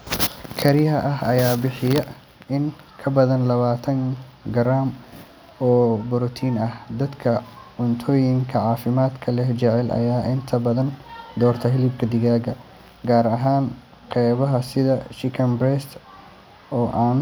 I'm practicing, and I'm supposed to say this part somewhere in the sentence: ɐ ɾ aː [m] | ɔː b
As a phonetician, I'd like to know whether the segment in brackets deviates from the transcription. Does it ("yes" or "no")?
no